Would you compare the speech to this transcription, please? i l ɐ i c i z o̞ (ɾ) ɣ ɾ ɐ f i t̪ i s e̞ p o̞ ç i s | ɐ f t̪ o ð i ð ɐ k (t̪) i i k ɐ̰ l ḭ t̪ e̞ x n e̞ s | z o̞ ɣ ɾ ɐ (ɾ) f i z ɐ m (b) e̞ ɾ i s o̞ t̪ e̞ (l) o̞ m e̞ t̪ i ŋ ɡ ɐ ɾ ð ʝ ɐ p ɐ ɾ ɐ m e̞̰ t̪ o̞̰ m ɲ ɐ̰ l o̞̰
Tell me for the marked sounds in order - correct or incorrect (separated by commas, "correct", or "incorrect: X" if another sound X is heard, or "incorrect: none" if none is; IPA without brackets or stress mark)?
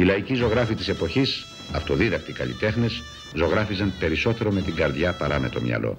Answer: incorrect: none, correct, incorrect: none, incorrect: p, incorrect: ɾ